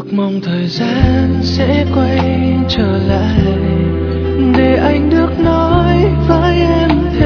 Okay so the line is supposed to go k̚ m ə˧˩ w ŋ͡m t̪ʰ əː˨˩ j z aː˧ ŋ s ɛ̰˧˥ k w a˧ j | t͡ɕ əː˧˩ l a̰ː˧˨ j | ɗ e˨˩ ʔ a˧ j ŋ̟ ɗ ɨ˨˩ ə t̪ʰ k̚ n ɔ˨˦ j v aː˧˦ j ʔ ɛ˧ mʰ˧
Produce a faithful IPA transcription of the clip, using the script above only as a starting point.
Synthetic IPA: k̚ m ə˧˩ w ŋ͡m t̪ʰ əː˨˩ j z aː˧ n s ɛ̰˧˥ k w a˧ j | t͡ɕ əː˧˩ l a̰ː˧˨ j | ɗ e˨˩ ʔ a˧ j ŋ̟ ɗ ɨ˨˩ ə k̚ n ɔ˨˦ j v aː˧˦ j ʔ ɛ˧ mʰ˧